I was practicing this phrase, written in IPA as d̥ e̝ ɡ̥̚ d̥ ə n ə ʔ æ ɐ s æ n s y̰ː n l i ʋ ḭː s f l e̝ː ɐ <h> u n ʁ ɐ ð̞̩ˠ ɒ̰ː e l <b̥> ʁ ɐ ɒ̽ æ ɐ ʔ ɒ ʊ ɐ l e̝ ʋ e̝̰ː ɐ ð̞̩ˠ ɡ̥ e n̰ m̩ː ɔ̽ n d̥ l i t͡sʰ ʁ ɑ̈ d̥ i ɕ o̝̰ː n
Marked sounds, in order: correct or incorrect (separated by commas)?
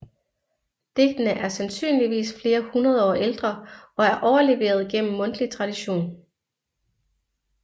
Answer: correct, incorrect